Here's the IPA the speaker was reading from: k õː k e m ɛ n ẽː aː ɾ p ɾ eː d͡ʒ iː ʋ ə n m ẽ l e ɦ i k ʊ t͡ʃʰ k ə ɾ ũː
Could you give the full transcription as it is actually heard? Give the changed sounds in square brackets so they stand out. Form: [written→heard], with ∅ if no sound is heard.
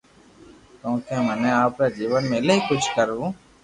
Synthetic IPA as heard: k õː k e m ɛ n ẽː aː [ɾ→∅] p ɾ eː d͡ʒ iː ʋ ə n m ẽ l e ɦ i k ʊ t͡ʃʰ k ə ɾ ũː

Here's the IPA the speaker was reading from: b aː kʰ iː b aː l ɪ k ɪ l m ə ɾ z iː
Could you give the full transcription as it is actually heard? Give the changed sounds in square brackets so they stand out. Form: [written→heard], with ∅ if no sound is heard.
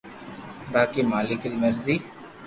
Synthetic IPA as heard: b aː [kʰ→k] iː [b→m] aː l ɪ k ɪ l m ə ɾ z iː

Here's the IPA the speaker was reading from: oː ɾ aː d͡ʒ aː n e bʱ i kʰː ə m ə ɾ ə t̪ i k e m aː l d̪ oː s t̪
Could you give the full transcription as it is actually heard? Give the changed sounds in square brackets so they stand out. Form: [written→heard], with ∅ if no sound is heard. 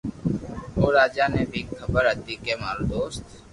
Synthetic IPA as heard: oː ɾ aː d͡ʒ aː n e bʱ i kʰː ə [m→b] ə ɾ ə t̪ i k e m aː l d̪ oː s t̪

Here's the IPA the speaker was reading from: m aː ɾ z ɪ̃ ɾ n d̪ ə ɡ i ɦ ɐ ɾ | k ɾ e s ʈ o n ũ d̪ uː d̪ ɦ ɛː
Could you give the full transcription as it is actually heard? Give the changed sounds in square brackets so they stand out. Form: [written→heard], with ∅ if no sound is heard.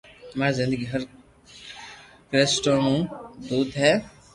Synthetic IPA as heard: m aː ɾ z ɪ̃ [ɾ→∅] n d̪ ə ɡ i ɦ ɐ ɾ | k ɾ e s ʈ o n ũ d̪ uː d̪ ɦ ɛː

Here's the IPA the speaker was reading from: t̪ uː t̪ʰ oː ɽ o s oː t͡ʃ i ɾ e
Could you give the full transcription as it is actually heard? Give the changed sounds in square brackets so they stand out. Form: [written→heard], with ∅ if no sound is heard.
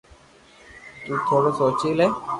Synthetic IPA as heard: t̪ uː t̪ʰ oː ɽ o s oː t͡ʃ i [ɾ→l] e

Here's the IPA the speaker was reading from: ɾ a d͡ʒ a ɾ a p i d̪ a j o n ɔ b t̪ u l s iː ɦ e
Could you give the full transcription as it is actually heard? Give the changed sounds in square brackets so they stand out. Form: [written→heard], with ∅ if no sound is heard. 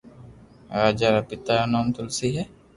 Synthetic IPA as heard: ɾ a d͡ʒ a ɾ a p i [d̪→t̪] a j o n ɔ [b→m] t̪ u l s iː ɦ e

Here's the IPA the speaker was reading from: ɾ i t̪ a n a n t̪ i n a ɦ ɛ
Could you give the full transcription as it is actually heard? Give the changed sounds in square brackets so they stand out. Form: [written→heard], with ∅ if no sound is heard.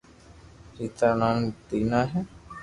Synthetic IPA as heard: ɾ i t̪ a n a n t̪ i n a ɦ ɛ

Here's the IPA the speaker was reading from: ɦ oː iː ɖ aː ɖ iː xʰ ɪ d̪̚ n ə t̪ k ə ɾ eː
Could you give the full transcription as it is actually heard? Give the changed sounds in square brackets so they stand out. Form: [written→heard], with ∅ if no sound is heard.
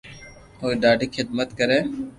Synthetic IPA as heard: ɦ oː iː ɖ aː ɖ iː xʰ ɪ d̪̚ [n→m] ə t̪ k ə ɾ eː

